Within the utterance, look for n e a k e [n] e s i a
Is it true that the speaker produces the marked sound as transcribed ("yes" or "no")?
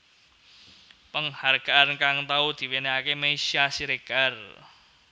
no